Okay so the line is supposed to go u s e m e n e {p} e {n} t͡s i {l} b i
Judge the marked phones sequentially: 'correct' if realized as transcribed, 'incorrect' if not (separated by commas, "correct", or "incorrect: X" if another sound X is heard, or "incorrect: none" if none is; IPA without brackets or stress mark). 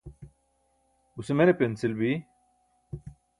correct, correct, correct